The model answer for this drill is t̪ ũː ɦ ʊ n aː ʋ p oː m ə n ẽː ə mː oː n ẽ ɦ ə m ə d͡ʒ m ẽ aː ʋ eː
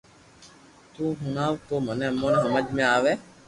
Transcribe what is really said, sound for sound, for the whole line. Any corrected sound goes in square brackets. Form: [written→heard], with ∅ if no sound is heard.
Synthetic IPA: t̪ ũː ɦ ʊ n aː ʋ [p→k] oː m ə n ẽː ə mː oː n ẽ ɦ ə m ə d͡ʒ m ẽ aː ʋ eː